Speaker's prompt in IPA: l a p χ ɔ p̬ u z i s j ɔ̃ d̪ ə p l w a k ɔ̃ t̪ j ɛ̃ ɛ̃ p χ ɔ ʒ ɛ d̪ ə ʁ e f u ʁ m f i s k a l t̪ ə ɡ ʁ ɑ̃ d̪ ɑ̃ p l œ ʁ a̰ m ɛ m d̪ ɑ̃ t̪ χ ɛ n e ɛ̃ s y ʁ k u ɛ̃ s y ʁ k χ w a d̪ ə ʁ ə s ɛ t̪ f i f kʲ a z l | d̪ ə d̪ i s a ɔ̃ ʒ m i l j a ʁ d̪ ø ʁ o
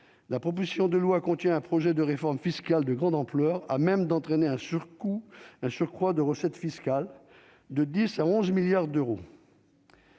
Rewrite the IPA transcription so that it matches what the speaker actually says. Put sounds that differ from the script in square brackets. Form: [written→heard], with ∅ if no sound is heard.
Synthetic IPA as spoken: l a p χ ɔ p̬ [u→o] z i s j ɔ̃ d̪ ə [p→∅] l w a k ɔ̃ t̪ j ɛ̃ ɛ̃ p χ ɔ ʒ ɛ d̪ ə ʁ e f [u→ɔ] ʁ m f i s k a l [t̪→d̪] ə ɡ ʁ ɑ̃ d̪ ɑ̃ p l œ ʁ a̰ m ɛ m d̪ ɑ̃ t̪ χ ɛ n e ɛ̃ s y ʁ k u ɛ̃ s y ʁ k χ w a d̪ ə ʁ ə s ɛ t̪ f i [f→s] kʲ a [z→∅] l | d̪ ə d̪ i s a ɔ̃ [ʒ→z] m i l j a ʁ d̪ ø ʁ o